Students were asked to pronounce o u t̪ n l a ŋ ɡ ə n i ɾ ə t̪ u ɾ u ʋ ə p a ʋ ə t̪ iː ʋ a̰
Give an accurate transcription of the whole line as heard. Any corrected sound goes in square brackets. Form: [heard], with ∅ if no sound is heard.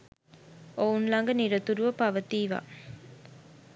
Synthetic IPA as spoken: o u [∅] n l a ŋ ɡ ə n i ɾ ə t̪ u ɾ u ʋ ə p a ʋ ə t̪ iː ʋ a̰